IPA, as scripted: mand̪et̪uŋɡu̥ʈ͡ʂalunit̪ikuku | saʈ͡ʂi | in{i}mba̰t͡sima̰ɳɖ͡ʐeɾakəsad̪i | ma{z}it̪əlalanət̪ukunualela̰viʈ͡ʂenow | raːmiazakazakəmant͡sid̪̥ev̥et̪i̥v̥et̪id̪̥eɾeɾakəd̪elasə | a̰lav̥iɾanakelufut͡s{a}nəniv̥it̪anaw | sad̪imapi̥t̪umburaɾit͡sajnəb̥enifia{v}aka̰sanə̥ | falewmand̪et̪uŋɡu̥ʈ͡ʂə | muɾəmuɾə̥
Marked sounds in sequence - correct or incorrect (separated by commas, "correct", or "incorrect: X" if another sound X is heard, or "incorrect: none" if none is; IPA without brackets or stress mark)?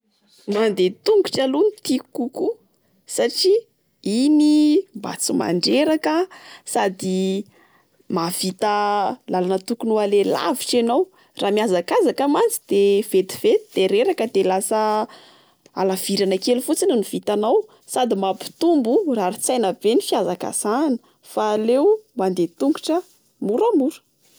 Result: correct, incorrect: v, incorrect: i, incorrect: z